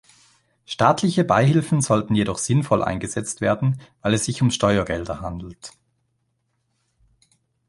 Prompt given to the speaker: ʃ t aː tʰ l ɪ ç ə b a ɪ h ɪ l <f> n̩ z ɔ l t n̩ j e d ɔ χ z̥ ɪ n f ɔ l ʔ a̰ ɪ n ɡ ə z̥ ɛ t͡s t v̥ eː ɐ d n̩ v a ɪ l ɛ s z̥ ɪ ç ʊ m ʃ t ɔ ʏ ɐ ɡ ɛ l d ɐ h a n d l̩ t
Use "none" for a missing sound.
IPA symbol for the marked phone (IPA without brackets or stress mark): f